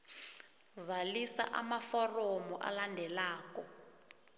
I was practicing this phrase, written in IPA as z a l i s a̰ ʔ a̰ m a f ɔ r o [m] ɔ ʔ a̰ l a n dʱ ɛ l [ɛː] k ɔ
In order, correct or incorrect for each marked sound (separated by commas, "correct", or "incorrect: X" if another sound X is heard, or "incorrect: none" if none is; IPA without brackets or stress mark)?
correct, incorrect: aː